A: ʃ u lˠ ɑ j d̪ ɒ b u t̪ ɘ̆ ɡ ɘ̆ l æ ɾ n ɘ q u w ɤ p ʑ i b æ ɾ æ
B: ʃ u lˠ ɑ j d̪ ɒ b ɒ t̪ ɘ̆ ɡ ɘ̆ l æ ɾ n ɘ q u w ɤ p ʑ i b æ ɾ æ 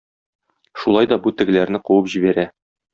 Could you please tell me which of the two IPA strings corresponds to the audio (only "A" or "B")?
A